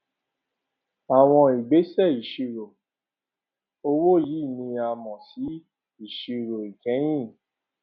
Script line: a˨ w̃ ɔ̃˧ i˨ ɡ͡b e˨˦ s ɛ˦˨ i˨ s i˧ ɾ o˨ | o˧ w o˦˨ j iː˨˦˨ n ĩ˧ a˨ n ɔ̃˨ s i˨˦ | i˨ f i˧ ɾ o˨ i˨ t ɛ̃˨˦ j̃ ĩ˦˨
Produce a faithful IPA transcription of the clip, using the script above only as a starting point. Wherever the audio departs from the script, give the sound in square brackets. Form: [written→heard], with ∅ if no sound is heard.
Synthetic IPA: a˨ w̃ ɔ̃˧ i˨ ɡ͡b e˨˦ s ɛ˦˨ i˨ [s→ʃ] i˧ ɾ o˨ | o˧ w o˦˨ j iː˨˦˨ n ĩ˧ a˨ [n→m] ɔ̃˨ s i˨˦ | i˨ [f→ʃ] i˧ ɾ o˨ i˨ [t→k] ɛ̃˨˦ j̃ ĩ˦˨